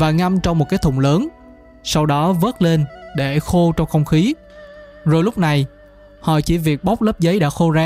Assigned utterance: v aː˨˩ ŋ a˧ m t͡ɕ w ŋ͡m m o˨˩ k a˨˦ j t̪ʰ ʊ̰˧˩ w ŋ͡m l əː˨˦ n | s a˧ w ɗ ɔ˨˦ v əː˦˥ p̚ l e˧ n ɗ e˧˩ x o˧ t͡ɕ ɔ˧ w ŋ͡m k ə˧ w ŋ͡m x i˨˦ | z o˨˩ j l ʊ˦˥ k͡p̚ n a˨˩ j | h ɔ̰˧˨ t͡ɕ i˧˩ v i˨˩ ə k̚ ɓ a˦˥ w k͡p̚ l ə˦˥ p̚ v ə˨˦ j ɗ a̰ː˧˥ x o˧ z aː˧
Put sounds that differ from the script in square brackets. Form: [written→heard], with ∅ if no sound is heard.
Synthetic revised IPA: v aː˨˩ ŋ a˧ m t͡ɕ w ŋ͡m m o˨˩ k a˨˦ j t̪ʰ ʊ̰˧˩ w ŋ͡m l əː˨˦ n | s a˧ w ɗ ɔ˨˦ v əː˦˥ [p̚→t̚] l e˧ n ɗ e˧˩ x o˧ t͡ɕ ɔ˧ w ŋ͡m [k→x] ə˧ w ŋ͡m x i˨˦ | z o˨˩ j l ʊ˦˥ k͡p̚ n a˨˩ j | h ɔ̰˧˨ t͡ɕ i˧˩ v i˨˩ ə k̚ ɓ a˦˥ w k͡p̚ l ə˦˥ p̚ [v→z] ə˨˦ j ɗ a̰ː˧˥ x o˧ z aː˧